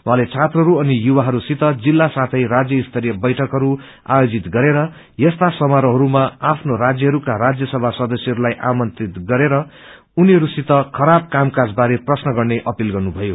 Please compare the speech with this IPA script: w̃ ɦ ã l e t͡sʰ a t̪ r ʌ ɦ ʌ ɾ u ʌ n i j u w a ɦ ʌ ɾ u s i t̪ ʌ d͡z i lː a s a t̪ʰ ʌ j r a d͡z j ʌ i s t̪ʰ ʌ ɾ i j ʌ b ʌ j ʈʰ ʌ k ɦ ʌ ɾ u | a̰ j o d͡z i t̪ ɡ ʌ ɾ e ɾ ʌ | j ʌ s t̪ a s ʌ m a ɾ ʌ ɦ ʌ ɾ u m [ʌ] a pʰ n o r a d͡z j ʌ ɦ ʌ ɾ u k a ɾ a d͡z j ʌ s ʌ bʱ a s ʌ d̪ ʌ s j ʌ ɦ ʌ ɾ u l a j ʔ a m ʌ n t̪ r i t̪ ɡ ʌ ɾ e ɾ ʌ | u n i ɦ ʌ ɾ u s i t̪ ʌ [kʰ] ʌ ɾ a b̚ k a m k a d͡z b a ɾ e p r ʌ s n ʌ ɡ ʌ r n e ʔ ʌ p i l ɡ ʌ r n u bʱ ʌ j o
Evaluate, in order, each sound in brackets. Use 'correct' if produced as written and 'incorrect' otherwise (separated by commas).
incorrect, correct